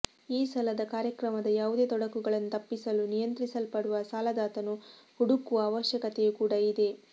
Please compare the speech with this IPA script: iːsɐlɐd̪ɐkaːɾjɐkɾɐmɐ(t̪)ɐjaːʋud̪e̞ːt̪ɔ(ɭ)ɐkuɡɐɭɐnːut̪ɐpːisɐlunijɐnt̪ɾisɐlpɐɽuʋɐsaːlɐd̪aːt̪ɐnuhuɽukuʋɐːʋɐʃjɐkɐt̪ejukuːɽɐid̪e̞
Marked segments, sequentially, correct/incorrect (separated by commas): incorrect, incorrect